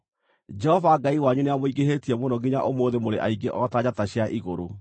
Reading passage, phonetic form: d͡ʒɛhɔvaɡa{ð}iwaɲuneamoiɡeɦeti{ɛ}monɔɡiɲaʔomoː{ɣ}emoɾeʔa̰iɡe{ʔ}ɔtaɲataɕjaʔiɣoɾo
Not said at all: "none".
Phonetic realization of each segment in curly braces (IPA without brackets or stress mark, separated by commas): none, ɛ, ð, ʔ